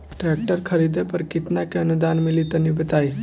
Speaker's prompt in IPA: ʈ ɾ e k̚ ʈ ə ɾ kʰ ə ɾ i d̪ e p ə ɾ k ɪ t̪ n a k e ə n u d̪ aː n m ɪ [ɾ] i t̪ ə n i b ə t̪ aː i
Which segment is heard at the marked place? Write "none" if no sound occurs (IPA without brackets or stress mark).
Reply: l